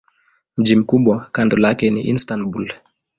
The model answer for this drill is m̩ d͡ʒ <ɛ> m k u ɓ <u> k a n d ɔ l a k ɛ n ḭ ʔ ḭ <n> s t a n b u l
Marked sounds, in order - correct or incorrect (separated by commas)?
incorrect, incorrect, correct